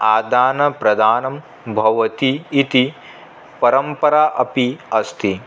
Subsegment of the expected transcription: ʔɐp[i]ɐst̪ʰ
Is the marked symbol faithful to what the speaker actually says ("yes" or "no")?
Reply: yes